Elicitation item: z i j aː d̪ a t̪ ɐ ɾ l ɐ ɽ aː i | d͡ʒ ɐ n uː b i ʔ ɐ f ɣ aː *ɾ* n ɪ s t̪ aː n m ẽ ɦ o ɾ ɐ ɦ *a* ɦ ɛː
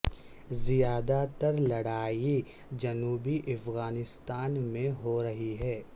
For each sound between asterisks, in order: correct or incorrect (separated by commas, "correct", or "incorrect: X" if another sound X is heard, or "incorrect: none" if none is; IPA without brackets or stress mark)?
incorrect: none, incorrect: i